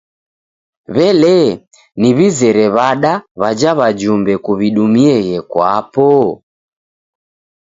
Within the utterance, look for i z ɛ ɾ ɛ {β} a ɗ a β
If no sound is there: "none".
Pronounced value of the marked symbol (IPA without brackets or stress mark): β